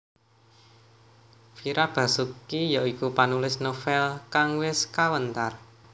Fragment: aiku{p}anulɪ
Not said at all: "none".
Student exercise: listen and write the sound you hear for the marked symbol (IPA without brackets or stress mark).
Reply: p